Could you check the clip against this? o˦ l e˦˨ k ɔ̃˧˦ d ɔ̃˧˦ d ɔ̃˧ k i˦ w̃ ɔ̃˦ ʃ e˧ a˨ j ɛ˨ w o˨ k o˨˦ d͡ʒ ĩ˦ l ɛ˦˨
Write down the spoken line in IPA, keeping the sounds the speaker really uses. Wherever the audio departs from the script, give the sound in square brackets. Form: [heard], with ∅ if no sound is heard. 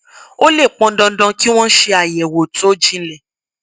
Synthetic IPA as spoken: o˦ l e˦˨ [k͡p] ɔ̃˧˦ d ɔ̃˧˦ d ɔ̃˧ k i˦ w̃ ɔ̃˦ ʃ e˧ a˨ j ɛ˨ w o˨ [t] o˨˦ d͡ʒ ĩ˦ l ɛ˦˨